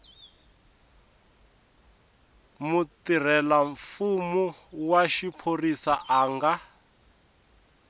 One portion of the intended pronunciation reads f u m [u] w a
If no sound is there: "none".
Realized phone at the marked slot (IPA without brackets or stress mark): u